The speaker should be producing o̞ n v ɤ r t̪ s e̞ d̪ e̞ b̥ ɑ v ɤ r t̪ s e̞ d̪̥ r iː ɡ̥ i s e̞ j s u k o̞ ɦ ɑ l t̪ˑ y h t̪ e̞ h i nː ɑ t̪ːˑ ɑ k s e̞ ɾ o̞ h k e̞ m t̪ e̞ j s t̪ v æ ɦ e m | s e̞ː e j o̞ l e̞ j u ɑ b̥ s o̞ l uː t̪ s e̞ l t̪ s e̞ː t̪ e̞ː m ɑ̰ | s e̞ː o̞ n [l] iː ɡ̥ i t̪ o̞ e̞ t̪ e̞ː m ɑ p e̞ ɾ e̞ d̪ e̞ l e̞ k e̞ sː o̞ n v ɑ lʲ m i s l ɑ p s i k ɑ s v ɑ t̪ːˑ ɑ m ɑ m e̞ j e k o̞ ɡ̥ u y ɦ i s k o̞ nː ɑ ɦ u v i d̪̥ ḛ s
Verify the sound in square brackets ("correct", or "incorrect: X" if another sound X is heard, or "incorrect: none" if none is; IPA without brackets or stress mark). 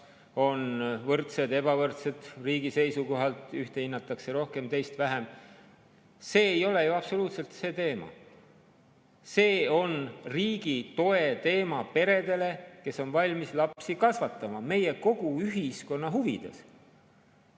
incorrect: r